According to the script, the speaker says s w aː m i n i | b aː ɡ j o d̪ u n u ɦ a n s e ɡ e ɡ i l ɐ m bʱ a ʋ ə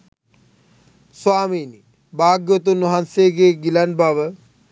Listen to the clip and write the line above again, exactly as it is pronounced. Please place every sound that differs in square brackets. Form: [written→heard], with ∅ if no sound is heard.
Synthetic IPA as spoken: s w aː m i n i | b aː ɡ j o [d̪→t̪] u n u ɦ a n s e ɡ e ɡ i l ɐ [m→n] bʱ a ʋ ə